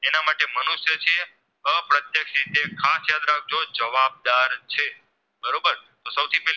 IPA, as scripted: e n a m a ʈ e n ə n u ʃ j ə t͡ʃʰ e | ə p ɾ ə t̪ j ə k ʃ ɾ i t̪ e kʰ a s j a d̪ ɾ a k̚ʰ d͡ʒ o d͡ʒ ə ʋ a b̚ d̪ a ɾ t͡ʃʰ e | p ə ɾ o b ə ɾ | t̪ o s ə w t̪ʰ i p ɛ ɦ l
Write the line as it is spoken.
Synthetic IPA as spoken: e n a m a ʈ e m ə n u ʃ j ə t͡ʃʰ e | ə p ɾ ə t̪ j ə k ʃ ɾ i t̪ e kʰ a s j a d̪ ɾ a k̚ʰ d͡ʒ o d͡ʒ ə ʋ a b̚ d̪ a ɾ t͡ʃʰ e | b ə ɾ o b ə ɾ | t̪ o s ə w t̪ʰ i p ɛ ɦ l